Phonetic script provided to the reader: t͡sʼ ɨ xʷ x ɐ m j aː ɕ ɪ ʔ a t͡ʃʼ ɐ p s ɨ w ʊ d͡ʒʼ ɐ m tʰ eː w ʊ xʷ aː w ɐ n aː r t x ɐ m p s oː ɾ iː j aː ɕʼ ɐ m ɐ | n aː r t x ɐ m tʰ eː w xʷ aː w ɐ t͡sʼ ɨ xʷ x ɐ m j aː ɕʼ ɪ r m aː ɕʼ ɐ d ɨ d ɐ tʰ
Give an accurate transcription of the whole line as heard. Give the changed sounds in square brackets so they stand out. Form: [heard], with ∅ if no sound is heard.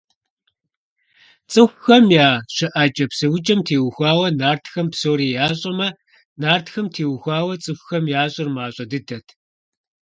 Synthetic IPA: t͡sʼ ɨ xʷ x ɐ m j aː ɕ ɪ ʔ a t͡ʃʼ ɐ p s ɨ w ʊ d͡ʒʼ ɐ m tʰ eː w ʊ xʷ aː w ɐ n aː r t x ɐ m p s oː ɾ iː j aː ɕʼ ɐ m ɐ | n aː r t x ɐ m tʰ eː w xʷ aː w ɐ t͡sʼ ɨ xʷ x ɐ m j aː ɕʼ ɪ r m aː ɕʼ ɐ d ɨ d ɐ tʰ